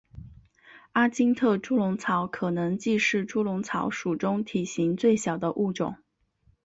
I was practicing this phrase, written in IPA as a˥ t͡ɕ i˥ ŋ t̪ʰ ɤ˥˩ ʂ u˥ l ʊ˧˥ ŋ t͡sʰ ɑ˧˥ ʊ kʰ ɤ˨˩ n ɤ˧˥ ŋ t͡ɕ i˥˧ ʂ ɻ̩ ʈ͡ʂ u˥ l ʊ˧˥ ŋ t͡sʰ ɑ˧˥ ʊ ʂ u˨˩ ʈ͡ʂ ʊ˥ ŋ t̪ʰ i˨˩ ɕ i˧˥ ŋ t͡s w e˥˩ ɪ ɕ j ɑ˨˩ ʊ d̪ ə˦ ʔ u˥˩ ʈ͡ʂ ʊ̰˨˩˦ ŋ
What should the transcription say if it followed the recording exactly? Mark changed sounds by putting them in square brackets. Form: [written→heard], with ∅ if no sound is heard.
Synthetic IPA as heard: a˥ t͡ɕ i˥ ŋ t̪ʰ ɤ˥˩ [ʂ→ʈ͡ʂ] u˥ l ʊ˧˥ ŋ t͡sʰ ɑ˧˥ ʊ kʰ ɤ˨˩ n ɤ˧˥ ŋ t͡ɕ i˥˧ ʂ ɻ̩ ʈ͡ʂ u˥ l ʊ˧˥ ŋ t͡sʰ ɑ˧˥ ʊ ʂ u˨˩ ʈ͡ʂ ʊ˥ ŋ t̪ʰ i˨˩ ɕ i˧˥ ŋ t͡s w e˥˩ ɪ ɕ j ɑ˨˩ ʊ d̪ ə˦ ʔ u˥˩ ʈ͡ʂ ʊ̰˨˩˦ ŋ